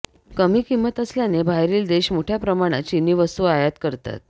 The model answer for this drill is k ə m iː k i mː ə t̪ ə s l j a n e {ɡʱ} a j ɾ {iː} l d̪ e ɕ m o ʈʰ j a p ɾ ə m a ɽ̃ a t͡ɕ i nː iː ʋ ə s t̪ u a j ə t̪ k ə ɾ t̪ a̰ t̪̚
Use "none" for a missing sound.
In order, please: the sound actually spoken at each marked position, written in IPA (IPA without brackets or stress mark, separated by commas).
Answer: bʱ, iː